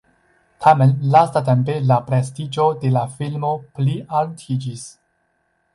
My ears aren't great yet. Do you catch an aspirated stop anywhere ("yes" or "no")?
yes